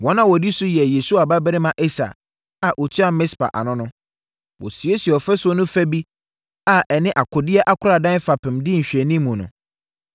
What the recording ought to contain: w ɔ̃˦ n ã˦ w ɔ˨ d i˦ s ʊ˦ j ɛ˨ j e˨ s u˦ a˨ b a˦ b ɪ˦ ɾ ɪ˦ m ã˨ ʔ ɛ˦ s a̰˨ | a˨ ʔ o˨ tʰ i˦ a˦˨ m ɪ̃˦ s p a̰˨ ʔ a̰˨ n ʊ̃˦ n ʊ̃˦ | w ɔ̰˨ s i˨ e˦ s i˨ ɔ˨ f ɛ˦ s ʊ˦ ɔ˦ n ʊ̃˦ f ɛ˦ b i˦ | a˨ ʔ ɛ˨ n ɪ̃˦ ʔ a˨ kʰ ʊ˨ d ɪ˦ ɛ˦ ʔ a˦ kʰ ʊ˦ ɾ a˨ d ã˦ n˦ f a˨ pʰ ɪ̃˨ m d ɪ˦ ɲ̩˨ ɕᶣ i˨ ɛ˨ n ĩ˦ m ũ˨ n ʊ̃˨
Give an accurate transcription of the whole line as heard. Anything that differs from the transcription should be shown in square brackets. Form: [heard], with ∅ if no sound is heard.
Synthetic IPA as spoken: w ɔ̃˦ n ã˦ w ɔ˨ d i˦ s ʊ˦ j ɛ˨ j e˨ s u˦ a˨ b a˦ b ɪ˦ ɾ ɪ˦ m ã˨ ʔ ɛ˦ s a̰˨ | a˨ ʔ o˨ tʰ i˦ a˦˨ m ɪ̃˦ s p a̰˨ ʔ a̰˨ n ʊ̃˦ n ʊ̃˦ | w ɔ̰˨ s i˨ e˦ s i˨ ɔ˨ f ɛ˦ s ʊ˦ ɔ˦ n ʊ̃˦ f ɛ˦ b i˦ | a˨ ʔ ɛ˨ n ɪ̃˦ ʔ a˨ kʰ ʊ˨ d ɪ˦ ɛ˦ ʔ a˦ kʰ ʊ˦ ɾ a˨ d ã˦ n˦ f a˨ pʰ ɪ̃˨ m d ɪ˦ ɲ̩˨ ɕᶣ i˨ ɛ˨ n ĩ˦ m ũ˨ n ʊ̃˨